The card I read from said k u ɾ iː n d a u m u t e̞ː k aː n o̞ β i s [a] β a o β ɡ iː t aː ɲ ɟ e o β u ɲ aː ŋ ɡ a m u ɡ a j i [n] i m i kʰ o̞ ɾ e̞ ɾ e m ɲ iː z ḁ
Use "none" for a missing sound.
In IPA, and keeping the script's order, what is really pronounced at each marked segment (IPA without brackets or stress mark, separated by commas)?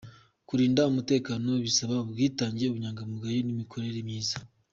a, n